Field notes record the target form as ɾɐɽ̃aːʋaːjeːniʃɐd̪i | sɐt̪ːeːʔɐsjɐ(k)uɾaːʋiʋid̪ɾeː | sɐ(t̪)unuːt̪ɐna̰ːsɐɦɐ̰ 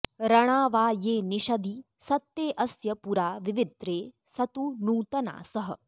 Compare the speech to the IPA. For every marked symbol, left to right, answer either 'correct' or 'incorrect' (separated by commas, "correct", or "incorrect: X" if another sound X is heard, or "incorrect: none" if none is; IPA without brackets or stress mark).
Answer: incorrect: p, correct